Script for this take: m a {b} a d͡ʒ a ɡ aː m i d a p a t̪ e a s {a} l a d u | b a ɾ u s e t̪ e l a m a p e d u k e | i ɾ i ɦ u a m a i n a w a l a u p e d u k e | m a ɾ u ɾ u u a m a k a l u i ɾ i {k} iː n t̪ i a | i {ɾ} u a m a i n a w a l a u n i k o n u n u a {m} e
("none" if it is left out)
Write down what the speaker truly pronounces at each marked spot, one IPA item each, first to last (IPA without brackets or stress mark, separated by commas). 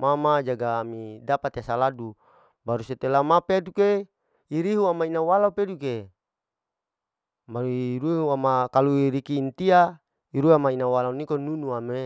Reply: m, a, k, ɾ, m